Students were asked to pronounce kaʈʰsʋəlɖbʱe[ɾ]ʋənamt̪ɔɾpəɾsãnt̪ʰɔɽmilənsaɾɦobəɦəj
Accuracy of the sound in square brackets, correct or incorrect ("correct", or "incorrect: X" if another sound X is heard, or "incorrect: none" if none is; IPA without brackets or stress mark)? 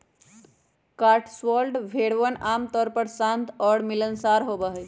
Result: incorrect: ɽ